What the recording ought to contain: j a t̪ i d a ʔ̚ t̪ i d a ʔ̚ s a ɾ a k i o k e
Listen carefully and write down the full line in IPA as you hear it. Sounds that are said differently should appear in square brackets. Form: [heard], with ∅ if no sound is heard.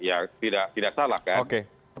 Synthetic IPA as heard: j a t̪ i d a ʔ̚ t̪ i d a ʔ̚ s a [l] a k [a] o k e